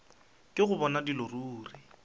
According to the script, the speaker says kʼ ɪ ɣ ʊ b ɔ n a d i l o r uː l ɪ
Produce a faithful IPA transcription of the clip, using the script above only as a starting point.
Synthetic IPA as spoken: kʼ ɪ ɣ ʊ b ɔ n a d i l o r uː r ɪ